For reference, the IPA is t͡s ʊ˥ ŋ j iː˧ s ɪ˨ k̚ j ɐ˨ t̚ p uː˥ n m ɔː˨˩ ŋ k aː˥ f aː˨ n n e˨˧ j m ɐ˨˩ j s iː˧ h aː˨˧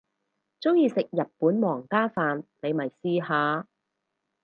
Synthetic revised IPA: t͡s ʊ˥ ŋ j iː˧ s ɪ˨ k̚ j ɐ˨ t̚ p uː˨˥ n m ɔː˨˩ ŋ k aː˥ f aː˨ n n e˨˧ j m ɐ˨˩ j s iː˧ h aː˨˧

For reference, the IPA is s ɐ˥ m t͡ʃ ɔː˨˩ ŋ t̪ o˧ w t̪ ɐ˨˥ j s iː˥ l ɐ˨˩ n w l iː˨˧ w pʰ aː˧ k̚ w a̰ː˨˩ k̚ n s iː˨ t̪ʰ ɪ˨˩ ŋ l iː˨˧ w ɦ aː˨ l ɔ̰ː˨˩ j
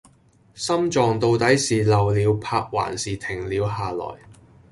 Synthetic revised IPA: s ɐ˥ m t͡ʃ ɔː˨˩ ŋ t̪ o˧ w t̪ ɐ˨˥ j s iː˨ l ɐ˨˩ w l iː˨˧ w pʰ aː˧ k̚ w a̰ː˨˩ n s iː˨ t̪ʰ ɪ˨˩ ŋ l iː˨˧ w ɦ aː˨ l ɔ̰ː˨˩ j

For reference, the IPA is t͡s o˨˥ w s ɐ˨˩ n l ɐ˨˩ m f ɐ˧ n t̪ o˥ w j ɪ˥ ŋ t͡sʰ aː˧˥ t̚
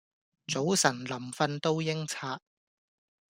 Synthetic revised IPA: t͡s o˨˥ w s ɐ˨˩ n l ɐ˨˩ m f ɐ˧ n t̪ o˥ w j ɪ˥ ŋ t͡sʰ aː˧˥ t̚

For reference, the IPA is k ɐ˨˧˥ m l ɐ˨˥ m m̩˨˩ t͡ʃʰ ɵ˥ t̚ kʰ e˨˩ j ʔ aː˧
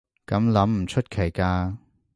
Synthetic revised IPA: k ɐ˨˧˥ m l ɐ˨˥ m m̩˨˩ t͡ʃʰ ɵ˥ t̚ kʰ e˨˩ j k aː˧

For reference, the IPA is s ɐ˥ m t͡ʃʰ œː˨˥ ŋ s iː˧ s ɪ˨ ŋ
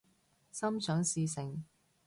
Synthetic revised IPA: s ɐ˥ m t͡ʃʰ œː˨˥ ŋ s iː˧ s ɪ˨ ŋ

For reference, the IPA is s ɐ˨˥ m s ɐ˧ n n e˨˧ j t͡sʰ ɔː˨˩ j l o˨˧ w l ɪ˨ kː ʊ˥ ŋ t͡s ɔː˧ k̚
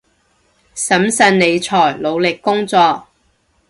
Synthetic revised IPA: s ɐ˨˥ m s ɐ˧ n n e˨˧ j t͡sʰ ɔː˨˩ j l o˨˧ w l ɪ˨ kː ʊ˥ ŋ t͡s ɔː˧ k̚

